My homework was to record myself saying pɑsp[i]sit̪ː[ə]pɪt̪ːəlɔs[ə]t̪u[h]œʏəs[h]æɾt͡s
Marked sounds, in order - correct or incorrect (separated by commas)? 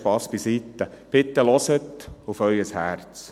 correct, correct, correct, incorrect, correct